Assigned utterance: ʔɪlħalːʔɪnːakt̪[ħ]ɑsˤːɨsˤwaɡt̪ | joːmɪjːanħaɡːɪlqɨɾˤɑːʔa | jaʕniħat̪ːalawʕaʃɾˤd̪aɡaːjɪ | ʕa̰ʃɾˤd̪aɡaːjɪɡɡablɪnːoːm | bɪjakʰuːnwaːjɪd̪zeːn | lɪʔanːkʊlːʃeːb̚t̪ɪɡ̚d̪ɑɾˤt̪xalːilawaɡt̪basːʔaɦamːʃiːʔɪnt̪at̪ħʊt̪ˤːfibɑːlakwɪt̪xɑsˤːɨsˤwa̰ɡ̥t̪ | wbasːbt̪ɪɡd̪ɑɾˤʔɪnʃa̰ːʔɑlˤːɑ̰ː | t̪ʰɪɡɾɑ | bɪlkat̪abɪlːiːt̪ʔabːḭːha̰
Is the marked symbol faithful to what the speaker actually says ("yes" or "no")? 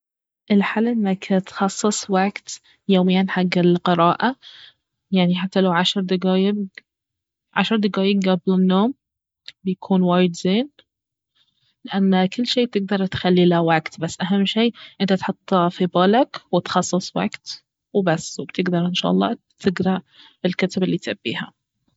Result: no